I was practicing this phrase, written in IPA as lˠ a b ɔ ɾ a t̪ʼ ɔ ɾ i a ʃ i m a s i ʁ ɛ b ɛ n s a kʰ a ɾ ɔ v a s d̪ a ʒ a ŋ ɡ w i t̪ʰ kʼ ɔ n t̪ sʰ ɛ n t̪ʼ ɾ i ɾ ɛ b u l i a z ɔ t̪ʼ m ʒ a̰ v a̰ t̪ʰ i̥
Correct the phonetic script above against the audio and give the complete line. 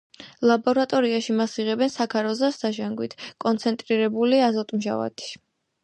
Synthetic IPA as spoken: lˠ a b ɔ ɾ a t̪ʼ ɔ ɾ i a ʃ i m a s i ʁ ɛ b ɛ n s a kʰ a ɾ ɔ z a s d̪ a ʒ a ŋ ɡ w i t̪ʰ kʼ ɔ n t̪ sʰ ɛ n t̪ʼ ɾ i ɾ ɛ b u l i a z ɔ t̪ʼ m ʒ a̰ v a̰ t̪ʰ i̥